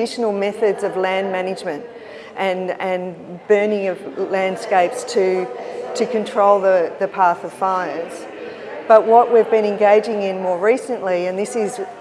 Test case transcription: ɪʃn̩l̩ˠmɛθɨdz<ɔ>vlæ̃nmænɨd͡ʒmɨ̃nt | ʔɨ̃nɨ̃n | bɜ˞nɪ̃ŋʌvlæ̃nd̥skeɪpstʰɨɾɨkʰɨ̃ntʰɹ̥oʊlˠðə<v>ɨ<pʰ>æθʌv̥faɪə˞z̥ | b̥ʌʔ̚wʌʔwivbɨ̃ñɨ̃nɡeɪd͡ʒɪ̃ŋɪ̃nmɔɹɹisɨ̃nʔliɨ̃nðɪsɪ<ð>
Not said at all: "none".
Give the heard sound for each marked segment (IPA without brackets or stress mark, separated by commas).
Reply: ʌ, ð, pʰ, z